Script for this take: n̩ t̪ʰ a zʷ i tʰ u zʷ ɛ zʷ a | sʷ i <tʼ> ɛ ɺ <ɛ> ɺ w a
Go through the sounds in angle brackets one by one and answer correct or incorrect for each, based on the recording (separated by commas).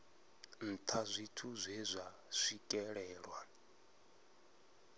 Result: incorrect, incorrect